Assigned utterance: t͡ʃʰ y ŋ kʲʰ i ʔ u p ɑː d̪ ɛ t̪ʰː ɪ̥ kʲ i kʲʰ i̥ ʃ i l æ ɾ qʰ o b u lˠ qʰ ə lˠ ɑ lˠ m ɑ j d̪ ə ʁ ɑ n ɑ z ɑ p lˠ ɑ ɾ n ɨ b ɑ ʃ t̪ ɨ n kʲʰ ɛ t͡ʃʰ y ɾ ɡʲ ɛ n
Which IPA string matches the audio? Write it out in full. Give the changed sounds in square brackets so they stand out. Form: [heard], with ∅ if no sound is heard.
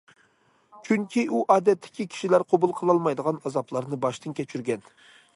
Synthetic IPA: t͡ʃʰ y ŋ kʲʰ i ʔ u [ʔ] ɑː d̪ ɛ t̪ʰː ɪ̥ kʲ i kʲʰ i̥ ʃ i l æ ɾ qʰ o b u lˠ qʰ ə lˠ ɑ lˠ m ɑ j d̪ ə ʁ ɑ n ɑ z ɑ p lˠ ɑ ɾ n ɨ b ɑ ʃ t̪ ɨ n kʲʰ ɛ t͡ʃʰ y ɾ ɡʲ ɛ n